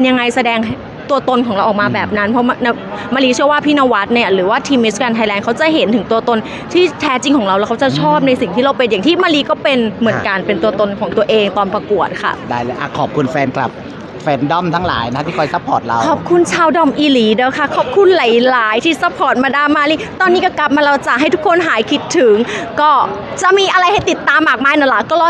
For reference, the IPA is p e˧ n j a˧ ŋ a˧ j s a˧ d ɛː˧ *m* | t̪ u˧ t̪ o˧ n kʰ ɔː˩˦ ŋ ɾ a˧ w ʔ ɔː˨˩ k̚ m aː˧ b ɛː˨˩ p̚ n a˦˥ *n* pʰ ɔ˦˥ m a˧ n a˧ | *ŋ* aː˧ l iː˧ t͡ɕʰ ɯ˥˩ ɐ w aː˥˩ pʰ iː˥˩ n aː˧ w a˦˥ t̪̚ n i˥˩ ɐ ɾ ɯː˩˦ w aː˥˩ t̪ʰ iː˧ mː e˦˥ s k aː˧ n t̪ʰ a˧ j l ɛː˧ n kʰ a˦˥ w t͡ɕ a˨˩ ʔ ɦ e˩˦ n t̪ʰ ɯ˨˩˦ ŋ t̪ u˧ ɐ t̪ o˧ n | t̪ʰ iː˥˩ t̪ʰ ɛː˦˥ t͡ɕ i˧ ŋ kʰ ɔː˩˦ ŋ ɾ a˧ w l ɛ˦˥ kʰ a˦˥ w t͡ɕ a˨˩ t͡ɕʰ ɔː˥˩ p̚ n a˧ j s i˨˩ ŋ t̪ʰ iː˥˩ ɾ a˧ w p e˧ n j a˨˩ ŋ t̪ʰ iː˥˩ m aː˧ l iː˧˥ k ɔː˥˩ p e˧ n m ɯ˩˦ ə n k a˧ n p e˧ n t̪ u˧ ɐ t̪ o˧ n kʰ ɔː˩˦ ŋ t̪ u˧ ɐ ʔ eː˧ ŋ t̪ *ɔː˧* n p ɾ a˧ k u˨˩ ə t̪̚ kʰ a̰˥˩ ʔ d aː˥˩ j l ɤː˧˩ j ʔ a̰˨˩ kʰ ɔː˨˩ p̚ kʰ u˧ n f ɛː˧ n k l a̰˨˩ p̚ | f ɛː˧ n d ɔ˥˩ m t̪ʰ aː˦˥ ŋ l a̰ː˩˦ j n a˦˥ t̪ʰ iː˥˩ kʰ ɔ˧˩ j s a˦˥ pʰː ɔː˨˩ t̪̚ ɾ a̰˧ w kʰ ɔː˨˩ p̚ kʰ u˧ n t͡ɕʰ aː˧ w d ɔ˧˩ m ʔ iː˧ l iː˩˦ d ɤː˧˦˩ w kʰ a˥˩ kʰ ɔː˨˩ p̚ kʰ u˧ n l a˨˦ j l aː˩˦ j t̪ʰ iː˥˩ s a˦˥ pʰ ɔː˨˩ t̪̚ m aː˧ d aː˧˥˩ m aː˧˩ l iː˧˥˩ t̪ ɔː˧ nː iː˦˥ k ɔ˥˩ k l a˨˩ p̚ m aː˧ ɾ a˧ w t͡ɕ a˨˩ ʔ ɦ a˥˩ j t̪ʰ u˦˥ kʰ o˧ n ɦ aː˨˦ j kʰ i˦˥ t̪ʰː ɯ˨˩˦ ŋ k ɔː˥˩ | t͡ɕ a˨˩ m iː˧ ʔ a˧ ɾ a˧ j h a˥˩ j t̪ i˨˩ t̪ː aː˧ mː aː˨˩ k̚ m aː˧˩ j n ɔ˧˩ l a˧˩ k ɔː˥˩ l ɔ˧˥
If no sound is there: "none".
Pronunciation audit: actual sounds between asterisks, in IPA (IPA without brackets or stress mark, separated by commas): ŋ, n, m, ɔː˧